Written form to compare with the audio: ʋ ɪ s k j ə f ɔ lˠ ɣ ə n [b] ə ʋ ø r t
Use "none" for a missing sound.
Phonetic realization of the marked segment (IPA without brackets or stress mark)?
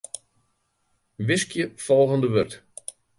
d